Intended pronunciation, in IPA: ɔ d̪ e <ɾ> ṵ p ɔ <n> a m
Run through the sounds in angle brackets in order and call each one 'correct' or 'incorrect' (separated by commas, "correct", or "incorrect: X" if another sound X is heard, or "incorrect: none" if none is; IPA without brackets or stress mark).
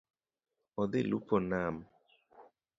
incorrect: l, correct